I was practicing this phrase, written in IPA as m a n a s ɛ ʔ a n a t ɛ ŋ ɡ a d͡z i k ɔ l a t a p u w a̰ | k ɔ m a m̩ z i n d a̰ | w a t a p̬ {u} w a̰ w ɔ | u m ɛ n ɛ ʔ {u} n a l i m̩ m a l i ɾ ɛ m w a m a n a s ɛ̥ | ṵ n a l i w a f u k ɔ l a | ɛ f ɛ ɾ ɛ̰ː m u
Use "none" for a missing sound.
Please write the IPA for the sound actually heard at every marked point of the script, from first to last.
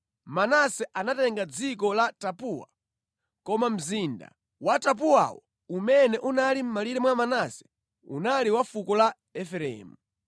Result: u, u

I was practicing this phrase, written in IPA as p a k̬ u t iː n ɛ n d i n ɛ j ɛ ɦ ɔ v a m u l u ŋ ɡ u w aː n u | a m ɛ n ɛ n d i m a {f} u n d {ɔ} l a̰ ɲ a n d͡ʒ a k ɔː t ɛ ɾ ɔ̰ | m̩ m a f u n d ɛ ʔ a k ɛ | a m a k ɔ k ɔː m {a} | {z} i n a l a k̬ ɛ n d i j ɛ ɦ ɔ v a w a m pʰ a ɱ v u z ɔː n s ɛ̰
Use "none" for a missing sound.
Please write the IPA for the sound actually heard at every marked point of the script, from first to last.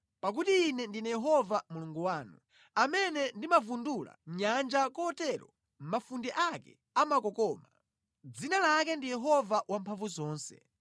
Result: v, u, a, d͡z

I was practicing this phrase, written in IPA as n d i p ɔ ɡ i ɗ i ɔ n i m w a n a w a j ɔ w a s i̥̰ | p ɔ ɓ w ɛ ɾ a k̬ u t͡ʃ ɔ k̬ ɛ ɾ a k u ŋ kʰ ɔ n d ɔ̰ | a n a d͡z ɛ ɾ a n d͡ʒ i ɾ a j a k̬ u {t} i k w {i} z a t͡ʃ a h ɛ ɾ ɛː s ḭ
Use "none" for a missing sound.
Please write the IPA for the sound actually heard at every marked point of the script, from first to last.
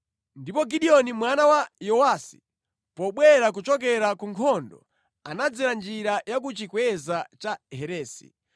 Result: t͡ʃ, ɛ

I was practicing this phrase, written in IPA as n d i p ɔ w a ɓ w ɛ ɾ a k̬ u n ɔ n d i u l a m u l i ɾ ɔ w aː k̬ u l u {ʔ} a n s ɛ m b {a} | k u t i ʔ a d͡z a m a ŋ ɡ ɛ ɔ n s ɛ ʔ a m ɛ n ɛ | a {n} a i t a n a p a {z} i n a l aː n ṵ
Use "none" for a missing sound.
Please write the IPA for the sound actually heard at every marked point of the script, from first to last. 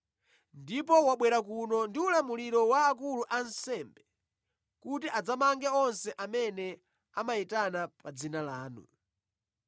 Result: ʔ, ɛ, m, d͡z

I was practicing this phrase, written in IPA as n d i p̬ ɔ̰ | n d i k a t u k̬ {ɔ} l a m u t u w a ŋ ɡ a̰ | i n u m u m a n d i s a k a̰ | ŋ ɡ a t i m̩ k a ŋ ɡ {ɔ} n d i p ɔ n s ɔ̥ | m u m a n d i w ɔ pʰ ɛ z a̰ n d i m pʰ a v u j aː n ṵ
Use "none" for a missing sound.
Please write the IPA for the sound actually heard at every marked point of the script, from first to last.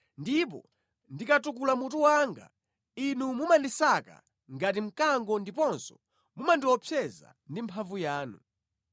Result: u, ɔ

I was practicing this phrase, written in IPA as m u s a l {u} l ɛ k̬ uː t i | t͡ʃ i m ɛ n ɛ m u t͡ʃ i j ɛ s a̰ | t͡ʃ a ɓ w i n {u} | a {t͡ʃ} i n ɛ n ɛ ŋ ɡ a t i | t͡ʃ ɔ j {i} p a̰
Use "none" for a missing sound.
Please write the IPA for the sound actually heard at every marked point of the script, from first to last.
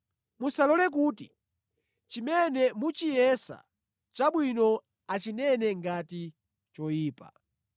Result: ɔ, ɔ, t͡ʃ, iː

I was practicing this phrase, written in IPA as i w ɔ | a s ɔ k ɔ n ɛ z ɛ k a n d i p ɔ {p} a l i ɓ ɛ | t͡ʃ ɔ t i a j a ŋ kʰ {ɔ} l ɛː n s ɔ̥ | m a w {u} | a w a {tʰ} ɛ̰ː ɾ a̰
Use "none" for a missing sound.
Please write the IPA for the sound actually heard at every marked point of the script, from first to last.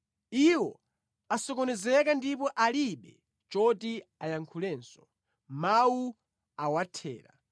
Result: ʔ, u, u, tʰ

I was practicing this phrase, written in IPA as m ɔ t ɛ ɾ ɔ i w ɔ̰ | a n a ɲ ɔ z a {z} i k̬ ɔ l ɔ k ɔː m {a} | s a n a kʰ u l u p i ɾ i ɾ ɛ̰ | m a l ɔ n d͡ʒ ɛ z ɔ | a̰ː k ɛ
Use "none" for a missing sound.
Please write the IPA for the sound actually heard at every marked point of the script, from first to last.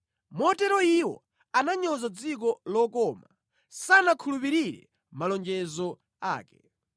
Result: d͡z, a

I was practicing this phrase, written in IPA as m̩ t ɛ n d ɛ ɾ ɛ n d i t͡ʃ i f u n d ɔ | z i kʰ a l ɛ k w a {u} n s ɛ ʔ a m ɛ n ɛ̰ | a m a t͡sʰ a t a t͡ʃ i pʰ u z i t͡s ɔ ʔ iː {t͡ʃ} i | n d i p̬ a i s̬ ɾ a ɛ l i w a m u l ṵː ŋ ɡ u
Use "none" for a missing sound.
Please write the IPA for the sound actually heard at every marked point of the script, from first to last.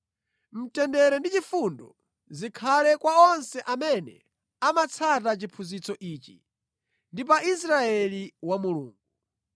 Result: ɔ, t͡ʃ

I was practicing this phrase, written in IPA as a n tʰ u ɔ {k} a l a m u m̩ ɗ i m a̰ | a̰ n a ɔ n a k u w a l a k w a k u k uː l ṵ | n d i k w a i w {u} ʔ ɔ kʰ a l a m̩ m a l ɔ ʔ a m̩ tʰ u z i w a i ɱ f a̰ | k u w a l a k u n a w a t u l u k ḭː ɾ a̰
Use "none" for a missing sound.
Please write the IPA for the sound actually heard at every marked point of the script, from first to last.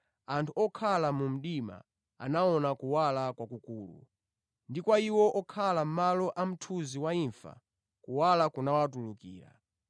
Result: kʰ, ɔ

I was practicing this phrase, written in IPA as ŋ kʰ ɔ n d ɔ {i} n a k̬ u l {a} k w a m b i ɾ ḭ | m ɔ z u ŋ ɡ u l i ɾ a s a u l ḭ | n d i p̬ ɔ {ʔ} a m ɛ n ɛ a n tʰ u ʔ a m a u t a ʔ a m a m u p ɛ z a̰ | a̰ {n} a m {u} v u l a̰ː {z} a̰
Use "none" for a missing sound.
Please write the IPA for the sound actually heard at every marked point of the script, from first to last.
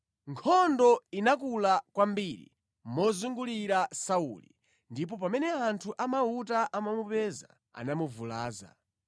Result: i, a, p, n, u, z

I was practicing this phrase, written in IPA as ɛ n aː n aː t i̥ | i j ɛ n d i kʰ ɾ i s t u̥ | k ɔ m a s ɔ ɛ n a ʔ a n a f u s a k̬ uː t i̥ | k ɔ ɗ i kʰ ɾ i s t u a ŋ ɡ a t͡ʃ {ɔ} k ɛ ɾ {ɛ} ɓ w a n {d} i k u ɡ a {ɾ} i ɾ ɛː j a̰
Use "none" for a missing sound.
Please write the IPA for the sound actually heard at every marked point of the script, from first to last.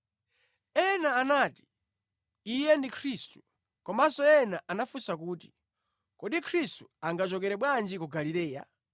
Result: ɔ, ɛ, d͡ʒ, l

